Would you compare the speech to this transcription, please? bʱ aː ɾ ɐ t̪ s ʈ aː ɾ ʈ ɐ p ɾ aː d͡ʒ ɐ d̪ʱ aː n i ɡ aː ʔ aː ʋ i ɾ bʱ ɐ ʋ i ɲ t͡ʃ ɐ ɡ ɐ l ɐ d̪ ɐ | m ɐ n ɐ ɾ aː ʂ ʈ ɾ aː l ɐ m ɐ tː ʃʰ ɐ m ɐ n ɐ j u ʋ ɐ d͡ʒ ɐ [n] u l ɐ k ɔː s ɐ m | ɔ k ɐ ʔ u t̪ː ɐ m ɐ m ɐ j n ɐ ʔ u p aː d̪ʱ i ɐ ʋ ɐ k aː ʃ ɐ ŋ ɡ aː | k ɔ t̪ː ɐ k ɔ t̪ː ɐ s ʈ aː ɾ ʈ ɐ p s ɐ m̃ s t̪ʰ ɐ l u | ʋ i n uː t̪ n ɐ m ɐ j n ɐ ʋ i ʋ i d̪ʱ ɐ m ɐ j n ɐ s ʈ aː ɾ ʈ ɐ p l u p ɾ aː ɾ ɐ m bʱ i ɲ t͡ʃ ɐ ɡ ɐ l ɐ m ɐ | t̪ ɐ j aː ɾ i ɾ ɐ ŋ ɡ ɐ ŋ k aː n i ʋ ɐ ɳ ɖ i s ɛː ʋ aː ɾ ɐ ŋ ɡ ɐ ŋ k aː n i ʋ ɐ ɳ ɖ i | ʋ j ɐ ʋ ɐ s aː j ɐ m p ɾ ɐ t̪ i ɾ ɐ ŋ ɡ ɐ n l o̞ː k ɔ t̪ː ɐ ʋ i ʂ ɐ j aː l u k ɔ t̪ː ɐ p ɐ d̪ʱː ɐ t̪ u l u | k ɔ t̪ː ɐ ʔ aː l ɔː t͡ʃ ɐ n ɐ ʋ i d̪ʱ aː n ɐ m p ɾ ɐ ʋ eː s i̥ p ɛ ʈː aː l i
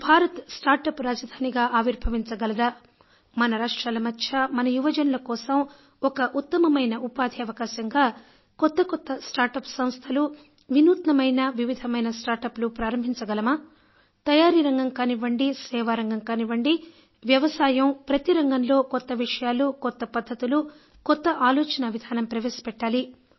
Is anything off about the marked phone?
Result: no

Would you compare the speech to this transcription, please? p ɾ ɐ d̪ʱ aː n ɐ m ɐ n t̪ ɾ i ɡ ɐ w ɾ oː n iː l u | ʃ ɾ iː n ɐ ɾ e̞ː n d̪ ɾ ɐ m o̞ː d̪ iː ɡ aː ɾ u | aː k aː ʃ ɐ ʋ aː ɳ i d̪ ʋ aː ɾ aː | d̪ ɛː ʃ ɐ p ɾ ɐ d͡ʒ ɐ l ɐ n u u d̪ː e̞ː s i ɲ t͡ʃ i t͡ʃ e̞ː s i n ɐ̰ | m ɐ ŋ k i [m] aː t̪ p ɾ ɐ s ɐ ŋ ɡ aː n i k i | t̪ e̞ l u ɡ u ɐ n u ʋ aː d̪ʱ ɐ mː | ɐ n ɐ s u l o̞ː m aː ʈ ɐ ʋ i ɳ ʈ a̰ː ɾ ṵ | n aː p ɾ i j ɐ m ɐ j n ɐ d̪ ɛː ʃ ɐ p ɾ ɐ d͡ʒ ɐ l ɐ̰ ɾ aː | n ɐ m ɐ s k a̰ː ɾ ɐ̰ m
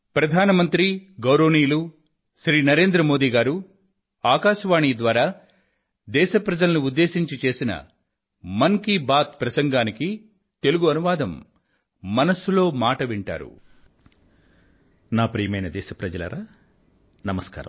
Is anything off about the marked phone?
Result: yes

